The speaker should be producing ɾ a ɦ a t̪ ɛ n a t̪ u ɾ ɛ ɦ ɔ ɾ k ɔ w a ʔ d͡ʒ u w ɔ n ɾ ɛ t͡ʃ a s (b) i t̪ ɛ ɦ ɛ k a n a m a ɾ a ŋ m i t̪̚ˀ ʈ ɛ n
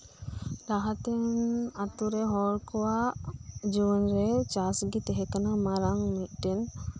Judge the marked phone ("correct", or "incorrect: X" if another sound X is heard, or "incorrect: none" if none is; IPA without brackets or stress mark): incorrect: ɡ